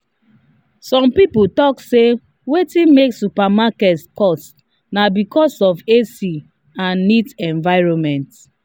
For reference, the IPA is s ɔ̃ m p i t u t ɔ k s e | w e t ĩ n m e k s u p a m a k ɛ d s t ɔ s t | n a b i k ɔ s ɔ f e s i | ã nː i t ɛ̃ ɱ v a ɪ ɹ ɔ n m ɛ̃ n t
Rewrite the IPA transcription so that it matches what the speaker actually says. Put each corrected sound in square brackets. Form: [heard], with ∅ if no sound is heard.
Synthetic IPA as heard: s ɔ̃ m p i [p] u t ɔ k s e | w e t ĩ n m e k s u p a m a k ɛ [t] s [k] ɔ s t | n a b i k ɔ s ɔ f e s i | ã nː i t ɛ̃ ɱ v a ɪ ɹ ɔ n m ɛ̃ n t